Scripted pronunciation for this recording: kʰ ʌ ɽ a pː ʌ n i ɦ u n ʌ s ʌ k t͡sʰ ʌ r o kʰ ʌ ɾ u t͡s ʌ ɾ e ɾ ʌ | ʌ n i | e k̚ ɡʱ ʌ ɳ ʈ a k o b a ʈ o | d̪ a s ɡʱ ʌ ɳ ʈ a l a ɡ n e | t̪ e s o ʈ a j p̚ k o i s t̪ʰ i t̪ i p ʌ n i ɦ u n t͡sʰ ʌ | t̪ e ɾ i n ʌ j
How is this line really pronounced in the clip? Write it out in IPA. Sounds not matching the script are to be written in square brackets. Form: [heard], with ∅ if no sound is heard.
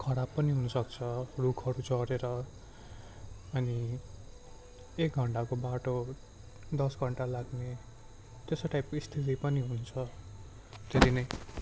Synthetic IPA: kʰ ʌ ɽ a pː ʌ n i ɦ u n ʌ s ʌ k t͡sʰ ʌ r [u] kʰ ʌ ɾ u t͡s ʌ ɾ e ɾ ʌ | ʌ n i | e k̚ ɡʱ ʌ ɳ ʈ a k o b a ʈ o | d̪ [ʌ] s ɡʱ ʌ ɳ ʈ a l a ɡ n e | t̪ e s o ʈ a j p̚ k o i s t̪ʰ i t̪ i p ʌ n i ɦ u n t͡sʰ ʌ | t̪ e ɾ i n ʌ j